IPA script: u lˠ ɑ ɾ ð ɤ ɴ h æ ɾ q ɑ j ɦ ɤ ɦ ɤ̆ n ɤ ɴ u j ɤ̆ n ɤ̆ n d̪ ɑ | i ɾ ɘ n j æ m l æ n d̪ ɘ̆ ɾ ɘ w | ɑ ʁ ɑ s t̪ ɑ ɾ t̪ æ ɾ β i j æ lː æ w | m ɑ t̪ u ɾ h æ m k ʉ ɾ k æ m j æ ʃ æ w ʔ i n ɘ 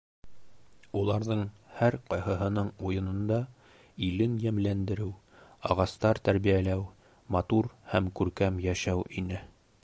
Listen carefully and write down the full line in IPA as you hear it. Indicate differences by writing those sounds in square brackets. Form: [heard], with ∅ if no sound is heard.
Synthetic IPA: u lˠ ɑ ɾ ð ɤ ɴ h æ ɾ q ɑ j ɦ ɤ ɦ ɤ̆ n ɤ ɴ u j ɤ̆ n ɤ̆ n d̪ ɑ | i [l] ɘ n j æ m l æ n d̪ ɘ̆ ɾ ɘ w | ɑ ʁ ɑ s t̪ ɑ ɾ t̪ æ ɾ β i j æ [l] æ w | m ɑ t̪ u ɾ h æ m k ʉ ɾ k æ m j æ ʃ æ w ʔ i n ɘ